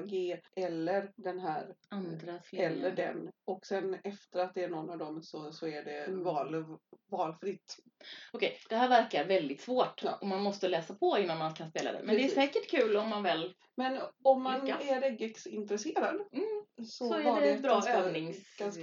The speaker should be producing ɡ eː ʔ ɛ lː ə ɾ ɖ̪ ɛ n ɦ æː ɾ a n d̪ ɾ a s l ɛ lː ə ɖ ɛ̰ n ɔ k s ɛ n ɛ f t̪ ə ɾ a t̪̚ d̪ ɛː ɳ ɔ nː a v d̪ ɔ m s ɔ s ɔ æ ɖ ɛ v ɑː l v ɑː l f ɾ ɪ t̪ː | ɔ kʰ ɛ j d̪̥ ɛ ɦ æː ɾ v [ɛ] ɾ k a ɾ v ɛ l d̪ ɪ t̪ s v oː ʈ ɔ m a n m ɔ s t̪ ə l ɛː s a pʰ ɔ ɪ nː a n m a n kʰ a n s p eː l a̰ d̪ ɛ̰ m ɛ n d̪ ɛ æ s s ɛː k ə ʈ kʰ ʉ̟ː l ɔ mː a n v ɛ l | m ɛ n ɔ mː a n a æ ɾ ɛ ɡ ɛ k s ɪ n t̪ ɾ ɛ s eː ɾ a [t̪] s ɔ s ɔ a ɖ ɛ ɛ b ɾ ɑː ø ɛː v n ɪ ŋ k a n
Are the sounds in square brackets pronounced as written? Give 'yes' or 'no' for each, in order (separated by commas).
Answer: no, no